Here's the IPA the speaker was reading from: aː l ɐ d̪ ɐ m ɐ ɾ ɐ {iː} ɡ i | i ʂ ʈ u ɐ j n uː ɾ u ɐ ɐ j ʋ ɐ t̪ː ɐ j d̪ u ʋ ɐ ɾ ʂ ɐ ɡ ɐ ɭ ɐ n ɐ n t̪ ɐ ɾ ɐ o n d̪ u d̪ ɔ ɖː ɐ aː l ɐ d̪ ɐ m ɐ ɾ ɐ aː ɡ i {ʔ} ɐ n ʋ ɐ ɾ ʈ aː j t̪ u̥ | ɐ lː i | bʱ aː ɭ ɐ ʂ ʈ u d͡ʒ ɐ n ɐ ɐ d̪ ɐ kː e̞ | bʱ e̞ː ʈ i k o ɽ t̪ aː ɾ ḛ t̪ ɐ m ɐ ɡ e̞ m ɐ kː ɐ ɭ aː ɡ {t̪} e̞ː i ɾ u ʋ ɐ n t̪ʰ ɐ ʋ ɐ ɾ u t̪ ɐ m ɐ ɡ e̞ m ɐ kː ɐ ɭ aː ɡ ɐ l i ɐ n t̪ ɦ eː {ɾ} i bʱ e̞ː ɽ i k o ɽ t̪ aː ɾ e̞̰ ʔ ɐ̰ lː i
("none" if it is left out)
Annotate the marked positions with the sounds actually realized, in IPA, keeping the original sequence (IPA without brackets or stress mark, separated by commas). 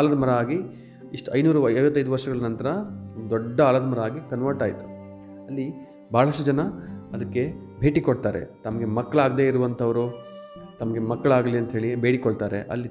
aː, k, d̪, ɭ